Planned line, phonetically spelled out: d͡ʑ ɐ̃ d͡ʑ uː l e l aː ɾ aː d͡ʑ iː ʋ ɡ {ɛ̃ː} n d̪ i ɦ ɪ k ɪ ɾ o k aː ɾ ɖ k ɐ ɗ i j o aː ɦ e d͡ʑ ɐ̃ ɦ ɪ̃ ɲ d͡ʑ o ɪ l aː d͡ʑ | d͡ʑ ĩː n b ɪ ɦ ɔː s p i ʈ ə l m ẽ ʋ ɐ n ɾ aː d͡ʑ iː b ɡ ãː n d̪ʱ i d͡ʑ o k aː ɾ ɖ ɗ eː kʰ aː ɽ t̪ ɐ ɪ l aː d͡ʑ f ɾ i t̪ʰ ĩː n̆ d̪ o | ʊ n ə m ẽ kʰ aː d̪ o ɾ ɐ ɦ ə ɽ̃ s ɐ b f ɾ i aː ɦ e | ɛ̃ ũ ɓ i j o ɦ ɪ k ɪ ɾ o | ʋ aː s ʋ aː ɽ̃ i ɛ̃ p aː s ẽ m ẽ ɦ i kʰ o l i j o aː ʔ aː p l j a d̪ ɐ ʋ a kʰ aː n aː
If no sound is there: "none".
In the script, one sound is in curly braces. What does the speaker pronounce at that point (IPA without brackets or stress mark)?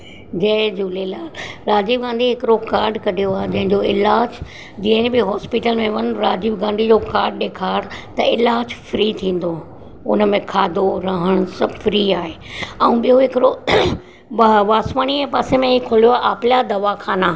ãː